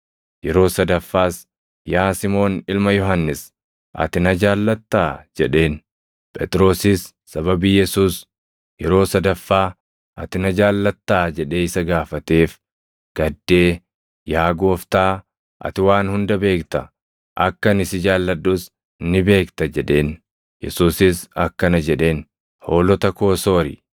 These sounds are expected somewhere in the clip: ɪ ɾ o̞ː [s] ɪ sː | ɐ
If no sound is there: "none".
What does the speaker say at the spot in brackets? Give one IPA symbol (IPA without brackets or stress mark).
s